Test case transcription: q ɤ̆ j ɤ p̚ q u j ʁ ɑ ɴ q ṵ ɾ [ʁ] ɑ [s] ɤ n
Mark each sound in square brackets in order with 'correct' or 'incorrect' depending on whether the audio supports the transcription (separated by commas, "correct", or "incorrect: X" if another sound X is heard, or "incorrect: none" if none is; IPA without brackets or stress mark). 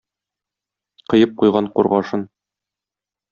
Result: correct, incorrect: ʃ